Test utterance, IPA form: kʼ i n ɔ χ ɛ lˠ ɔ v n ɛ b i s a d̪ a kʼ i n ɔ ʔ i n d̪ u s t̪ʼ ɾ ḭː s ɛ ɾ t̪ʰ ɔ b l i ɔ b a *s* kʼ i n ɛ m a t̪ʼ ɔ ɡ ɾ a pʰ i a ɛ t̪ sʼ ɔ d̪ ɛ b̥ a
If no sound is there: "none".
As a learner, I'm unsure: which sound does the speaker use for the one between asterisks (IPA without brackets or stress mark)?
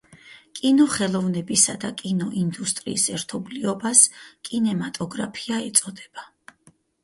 s